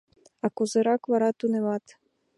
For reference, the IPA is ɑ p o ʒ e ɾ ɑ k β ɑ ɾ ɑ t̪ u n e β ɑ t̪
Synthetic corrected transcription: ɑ k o z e ɾ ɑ k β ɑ ɾ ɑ t̪ u n e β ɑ t̪